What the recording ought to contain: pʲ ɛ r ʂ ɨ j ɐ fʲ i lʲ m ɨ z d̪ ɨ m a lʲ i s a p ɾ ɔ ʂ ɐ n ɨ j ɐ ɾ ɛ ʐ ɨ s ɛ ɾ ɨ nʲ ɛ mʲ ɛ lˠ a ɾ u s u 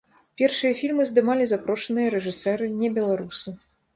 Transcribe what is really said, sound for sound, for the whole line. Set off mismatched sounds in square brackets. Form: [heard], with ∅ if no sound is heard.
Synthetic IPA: pʲ ɛ r ʂ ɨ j ɐ fʲ i lʲ m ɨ z d̪ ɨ m a lʲ i [z] a p ɾ ɔ ʂ ɐ n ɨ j ɐ ɾ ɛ ʐ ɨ s ɛ ɾ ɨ nʲ ɛ [bʲ] ɛ lˠ a ɾ u s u